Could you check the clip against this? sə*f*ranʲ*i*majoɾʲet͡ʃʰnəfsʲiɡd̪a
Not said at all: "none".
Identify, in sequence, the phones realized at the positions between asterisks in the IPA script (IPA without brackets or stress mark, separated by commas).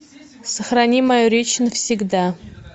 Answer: χ, i